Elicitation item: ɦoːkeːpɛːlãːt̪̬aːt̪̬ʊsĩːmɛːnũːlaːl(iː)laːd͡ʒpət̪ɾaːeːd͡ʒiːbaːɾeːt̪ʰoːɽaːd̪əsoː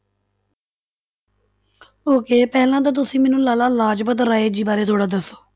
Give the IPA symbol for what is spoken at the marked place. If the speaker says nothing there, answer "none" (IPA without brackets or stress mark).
aː